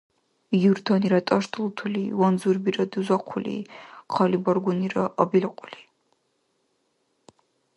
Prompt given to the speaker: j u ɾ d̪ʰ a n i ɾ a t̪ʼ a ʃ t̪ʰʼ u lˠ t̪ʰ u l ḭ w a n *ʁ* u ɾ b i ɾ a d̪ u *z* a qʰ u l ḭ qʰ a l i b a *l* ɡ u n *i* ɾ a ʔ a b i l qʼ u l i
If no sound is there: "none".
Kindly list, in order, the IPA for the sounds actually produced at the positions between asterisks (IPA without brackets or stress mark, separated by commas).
z, z, ɾ, i